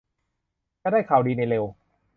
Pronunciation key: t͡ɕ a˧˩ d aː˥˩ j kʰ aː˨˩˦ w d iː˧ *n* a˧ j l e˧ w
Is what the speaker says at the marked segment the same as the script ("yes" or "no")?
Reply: yes